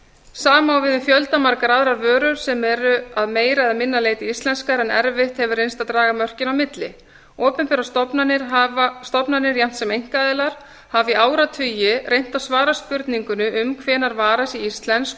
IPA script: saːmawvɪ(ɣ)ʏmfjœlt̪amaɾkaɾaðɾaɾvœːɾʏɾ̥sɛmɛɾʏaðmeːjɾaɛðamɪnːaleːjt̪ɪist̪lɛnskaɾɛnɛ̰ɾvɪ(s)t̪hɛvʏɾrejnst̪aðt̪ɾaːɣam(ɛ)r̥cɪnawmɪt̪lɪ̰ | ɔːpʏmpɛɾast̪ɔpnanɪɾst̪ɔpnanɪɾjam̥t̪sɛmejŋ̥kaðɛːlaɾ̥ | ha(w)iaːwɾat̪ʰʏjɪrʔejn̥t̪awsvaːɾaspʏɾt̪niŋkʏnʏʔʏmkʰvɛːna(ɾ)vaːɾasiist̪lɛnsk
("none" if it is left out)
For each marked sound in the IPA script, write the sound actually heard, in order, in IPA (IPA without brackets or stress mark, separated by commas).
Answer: ð, h, œ, v, ɾ